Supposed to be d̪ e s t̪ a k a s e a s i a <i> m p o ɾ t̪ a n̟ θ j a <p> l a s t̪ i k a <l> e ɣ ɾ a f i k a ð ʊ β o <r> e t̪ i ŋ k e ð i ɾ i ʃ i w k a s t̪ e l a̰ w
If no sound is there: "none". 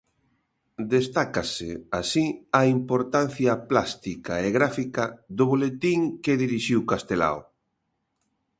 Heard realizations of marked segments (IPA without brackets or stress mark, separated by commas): i, p, none, l